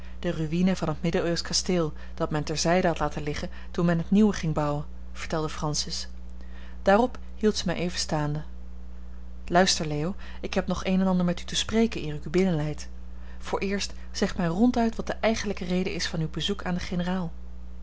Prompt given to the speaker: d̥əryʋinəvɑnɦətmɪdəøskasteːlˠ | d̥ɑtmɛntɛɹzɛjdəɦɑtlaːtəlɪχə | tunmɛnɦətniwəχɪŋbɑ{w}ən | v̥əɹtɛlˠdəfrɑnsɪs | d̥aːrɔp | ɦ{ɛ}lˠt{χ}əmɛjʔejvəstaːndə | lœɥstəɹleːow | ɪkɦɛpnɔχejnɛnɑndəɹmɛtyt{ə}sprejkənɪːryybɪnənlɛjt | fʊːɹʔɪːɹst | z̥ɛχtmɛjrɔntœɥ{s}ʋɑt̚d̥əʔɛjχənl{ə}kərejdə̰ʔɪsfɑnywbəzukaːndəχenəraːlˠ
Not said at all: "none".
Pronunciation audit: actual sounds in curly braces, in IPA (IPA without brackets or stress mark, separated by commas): w, i, s, ə, t, ə